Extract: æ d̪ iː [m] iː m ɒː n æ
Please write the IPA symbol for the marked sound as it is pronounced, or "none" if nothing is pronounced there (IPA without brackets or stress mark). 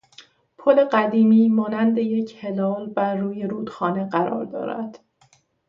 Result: m